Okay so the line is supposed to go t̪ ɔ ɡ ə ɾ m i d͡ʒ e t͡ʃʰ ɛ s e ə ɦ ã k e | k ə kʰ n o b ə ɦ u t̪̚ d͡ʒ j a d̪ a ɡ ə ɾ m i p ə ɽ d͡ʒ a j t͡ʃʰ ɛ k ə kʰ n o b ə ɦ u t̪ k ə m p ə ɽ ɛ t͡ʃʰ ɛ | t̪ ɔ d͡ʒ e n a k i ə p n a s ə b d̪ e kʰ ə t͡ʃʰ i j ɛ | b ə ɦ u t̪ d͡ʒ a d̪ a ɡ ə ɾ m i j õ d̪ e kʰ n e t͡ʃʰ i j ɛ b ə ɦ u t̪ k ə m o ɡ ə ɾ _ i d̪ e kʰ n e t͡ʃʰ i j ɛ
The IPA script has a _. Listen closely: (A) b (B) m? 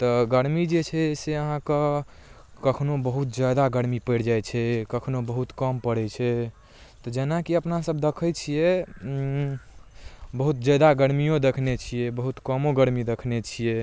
B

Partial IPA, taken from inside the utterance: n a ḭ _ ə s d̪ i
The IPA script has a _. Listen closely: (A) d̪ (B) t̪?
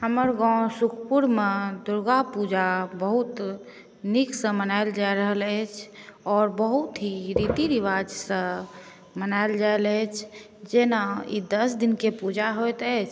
A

